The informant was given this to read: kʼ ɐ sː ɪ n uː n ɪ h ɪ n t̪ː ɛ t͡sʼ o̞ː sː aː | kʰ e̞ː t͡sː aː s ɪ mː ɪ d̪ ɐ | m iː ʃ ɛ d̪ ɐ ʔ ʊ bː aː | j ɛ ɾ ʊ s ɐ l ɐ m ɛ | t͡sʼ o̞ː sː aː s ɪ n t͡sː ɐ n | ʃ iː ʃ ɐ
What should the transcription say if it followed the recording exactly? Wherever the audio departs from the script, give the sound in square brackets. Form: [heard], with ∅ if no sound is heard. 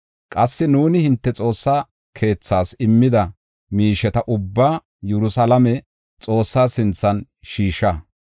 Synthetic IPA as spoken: kʼ ɐ sː ɪ n uː n ɪ h ɪ n t̪ː ɛ t͡sʼ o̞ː sː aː | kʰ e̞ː t͡sː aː s ɪ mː ɪ d̪ ɐ | m iː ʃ ɛ [t̪] ɐ ʔ ʊ bː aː | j ɛ ɾ ʊ s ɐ l ɐ m ɛ | t͡sʼ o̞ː sː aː s ɪ n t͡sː ɐ n | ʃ iː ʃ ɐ